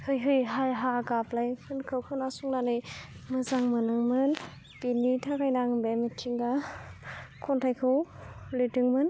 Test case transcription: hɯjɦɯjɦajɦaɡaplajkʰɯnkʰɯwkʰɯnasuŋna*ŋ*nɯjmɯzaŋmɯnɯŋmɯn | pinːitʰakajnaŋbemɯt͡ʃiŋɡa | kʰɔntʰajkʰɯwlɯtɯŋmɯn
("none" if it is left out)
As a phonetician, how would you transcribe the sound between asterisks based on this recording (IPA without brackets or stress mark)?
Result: none